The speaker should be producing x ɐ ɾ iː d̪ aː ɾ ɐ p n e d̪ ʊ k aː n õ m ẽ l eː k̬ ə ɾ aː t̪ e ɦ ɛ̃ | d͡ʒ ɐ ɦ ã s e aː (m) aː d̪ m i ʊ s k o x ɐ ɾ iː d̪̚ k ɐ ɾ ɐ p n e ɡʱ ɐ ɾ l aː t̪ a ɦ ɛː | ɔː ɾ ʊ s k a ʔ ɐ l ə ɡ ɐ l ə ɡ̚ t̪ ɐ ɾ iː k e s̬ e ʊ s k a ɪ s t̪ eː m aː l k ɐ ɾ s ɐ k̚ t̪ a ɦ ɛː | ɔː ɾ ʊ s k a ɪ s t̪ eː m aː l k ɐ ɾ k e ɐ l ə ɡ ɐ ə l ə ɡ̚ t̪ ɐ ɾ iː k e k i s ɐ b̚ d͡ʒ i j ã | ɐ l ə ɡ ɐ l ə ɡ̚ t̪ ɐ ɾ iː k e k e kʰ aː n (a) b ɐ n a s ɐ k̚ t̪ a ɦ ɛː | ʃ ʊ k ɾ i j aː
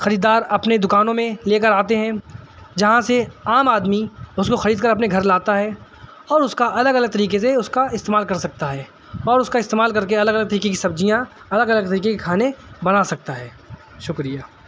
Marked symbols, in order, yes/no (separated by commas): yes, no